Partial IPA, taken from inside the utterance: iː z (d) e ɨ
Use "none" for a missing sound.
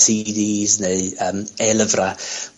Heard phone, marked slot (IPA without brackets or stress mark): n